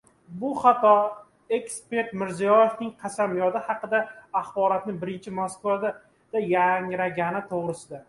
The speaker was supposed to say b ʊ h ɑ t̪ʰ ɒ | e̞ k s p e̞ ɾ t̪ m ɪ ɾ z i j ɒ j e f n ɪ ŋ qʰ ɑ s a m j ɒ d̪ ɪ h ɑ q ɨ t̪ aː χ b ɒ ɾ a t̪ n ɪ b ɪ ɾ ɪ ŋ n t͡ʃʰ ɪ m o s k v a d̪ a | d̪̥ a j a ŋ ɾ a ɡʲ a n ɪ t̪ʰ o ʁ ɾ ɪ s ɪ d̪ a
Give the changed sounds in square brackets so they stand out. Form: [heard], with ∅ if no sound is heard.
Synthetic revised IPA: b ʊ [χ] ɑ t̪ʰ ɒ | e̞ k s p e̞ ɾ t̪ m ɪ ɾ z i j ɒ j e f n ɪ ŋ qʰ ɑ s a m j ɒ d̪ ɪ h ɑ q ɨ [d̪] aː χ b ɒ ɾ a t̪ n ɪ b ɪ ɾ ɪ [∅] n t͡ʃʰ ɪ m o s k v a d̪ a | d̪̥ a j a ŋ ɾ a ɡʲ a n ɪ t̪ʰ o ʁ ɾ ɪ s ɪ d̪ a